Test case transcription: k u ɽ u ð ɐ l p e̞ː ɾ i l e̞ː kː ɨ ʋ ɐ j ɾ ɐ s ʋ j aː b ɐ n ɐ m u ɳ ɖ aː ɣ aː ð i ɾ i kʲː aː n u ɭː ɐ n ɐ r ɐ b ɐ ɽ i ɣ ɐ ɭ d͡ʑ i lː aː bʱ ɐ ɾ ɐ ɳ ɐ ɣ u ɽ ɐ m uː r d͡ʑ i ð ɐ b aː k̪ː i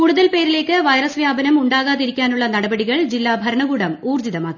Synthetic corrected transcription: k u ɽ u ð ɐ l p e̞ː ɾ i l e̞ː kː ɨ ʋ ɐ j ɾ ɐ s ʋ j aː b ɐ n ɐ m u ɳ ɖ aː ɣ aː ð i ɾ i kʲː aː n u ɭː ɐ n ɐ ɽ ɐ b ɐ ɽ i ɣ ɐ ɭ d͡ʑ i lː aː bʱ ɐ ɾ ɐ ɳ ɐ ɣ uː ɽ ɐ m uː r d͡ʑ i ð ɐ m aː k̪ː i